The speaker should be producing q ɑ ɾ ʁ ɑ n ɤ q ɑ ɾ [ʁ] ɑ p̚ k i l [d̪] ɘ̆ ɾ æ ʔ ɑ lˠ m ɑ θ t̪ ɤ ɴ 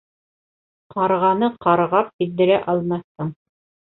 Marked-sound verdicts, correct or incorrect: correct, correct

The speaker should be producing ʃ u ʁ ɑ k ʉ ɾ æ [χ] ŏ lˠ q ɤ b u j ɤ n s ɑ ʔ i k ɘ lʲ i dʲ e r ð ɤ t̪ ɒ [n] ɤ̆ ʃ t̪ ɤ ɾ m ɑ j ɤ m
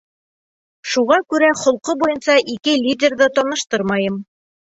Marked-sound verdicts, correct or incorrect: correct, correct

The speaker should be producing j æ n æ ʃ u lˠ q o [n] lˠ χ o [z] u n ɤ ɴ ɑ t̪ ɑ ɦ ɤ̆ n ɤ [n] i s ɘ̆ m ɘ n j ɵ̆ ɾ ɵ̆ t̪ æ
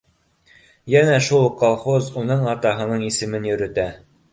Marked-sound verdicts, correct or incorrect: incorrect: none, correct, incorrect: ɴ

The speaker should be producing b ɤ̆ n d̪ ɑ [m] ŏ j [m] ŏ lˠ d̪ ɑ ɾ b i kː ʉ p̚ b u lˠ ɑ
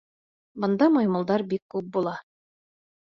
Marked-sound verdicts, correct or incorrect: correct, correct

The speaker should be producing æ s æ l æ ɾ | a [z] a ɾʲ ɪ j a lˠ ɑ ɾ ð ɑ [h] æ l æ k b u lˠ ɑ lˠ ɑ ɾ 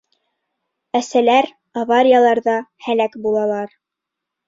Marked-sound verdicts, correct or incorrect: incorrect: v, correct

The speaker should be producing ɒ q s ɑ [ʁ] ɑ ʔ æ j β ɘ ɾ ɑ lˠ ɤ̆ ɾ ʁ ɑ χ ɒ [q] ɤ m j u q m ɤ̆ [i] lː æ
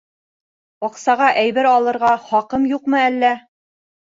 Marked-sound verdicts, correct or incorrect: correct, correct, incorrect: æ

